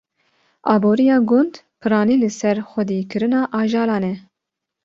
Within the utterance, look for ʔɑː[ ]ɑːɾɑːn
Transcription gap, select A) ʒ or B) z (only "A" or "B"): A